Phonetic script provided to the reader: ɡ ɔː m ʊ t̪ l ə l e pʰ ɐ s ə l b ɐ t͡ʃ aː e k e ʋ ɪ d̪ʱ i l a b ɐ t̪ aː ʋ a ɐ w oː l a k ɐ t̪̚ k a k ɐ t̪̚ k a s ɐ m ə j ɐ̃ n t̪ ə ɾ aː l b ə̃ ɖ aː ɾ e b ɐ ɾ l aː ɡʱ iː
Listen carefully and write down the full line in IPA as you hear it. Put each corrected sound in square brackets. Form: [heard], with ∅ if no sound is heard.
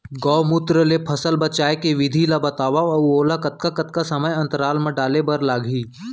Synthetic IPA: ɡ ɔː m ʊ t̪ [ɾ] ə l e pʰ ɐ s ə l b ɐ t͡ʃ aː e k e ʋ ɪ d̪ʱ i l a b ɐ t̪ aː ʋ a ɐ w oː l a k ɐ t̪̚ k a k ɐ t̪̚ k a s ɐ m ə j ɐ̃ n t̪ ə ɾ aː l [m] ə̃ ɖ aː [l] e b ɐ ɾ l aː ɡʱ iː